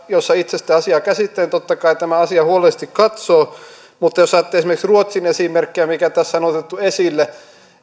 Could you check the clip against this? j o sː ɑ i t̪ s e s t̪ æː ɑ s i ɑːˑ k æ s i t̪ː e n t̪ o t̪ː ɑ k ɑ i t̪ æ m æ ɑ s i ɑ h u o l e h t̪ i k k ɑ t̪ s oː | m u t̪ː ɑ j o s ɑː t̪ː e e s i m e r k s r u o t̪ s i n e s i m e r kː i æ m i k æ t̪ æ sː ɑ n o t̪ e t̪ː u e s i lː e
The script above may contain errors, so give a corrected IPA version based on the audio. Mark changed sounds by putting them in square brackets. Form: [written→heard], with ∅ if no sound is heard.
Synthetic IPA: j o sː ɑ i t̪ s e s t̪ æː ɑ s i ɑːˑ k æ s i t̪ː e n t̪ o t̪ː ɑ k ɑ i t̪ æ m æ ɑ s i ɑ h u o l e [h→s] t̪ i k k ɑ t̪ s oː | m u t̪ː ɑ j o s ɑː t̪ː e e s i m e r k s r u o t̪ s i n e s i m e r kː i æ m i k æ t̪ æ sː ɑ n o t̪ e t̪ː u e s i lː e